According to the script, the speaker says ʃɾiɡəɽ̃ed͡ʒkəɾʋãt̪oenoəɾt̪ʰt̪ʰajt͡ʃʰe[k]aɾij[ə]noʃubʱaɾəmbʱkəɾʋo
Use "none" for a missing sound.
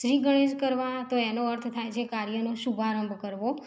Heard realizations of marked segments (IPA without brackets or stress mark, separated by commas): k, ə